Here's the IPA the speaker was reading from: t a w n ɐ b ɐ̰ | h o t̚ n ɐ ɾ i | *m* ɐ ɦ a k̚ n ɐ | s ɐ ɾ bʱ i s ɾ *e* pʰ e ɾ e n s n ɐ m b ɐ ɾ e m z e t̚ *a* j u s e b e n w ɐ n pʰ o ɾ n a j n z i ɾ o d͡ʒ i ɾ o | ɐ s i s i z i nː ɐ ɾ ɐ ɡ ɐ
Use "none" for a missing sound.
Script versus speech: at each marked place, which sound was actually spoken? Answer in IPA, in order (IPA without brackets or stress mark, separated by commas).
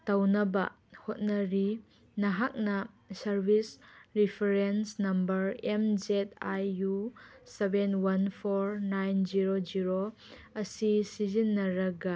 n, i, a